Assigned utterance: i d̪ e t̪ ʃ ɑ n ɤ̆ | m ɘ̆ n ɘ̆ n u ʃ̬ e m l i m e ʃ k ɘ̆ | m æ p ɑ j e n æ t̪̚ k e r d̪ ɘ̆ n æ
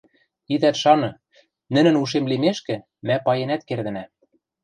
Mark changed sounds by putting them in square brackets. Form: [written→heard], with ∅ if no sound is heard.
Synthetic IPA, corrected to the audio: i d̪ [e→æ] t̪ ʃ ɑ n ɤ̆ | [m→n] ɘ̆ n ɘ̆ n u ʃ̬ e m l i m e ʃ k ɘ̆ | m æ p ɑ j e n æ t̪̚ k e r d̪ ɘ̆ n æ